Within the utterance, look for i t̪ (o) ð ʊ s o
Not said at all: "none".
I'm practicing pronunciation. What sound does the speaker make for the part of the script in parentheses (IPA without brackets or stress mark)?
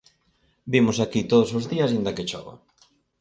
o